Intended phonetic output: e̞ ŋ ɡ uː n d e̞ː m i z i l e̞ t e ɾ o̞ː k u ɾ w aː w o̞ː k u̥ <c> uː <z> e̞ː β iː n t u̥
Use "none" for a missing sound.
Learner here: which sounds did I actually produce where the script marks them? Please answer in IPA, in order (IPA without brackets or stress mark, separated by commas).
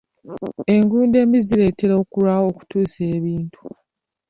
t, s